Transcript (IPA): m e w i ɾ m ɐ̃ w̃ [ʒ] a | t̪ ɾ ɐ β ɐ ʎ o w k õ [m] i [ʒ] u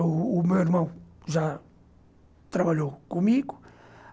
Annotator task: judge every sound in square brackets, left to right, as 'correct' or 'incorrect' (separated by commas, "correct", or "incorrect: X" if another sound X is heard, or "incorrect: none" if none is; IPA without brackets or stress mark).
correct, correct, incorrect: ɣ